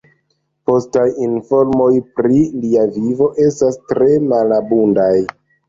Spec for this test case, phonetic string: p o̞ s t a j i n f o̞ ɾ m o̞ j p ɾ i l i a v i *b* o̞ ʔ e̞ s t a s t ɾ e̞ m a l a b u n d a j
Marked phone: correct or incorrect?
incorrect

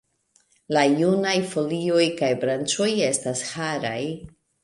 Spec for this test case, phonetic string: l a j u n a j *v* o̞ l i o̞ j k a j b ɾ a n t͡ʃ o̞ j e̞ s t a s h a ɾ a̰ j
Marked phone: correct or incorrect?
incorrect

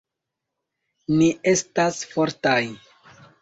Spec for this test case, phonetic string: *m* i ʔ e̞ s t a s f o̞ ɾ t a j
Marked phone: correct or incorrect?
incorrect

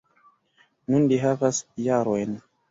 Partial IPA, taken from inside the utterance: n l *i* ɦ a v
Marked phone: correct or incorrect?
correct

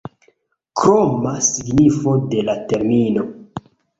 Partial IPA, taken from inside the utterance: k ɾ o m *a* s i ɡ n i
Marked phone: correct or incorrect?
correct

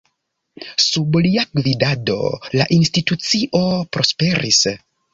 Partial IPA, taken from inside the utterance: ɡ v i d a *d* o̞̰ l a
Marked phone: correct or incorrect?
correct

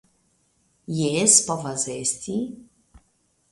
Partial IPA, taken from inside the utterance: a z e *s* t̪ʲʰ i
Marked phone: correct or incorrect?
correct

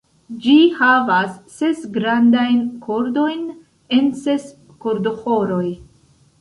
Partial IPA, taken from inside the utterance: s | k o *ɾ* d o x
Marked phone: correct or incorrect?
correct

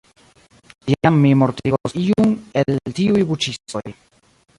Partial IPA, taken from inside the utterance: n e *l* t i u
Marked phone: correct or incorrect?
correct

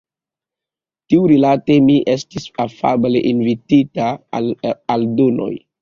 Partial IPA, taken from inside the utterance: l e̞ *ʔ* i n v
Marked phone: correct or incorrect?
correct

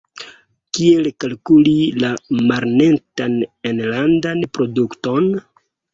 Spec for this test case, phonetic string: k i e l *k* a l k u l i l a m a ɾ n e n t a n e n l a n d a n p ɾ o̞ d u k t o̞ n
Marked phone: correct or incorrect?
correct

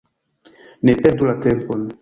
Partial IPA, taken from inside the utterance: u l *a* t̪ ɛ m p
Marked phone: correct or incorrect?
correct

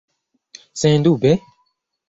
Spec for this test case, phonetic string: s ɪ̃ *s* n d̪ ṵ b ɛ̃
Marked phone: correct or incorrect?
incorrect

